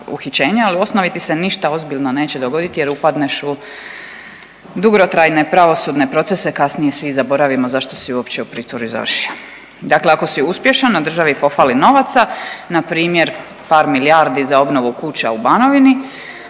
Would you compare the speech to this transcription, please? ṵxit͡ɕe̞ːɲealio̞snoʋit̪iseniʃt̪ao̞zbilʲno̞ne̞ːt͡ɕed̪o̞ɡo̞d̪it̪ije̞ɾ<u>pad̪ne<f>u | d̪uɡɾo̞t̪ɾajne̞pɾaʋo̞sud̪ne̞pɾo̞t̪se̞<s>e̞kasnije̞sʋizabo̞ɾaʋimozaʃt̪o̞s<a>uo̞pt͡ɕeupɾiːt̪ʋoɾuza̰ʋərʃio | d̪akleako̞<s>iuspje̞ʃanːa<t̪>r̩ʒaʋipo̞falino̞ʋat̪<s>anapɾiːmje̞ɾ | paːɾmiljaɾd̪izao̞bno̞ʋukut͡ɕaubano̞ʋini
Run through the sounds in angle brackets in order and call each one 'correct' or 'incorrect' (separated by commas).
correct, incorrect, correct, incorrect, correct, incorrect, correct